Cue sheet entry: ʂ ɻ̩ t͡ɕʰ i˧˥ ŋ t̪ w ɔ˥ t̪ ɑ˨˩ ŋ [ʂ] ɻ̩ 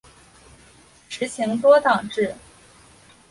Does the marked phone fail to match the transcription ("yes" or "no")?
yes